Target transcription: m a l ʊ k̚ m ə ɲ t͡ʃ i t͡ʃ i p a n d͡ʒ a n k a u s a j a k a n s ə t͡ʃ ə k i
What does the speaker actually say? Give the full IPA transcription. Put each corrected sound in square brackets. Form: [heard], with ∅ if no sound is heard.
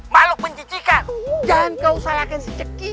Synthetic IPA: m a l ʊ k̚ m ə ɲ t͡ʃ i t͡ʃ i [k] a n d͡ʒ a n k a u s a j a k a n s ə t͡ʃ ə k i